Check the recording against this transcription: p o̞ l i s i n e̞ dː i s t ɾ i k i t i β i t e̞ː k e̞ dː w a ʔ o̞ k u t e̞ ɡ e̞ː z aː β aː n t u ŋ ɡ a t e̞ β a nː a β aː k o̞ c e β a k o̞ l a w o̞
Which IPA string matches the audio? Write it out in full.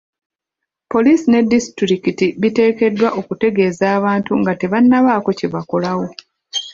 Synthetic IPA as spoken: p o̞ l i s i n e̞ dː i s t ɾ i k i t i β i t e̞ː k e̞ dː w a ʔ o̞ k u t e̞ ɡ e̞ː z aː β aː n t u ŋ ɡ a t e̞ β a nː a β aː k o̞ c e β a k o̞ l a w o̞